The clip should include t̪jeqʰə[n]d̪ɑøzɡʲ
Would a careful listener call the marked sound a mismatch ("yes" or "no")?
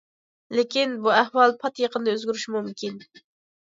no